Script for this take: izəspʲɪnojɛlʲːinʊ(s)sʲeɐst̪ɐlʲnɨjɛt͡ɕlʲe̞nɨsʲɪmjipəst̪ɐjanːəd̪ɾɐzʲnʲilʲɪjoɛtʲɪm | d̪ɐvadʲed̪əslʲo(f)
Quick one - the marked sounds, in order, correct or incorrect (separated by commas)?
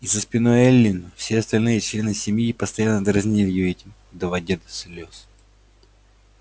incorrect, incorrect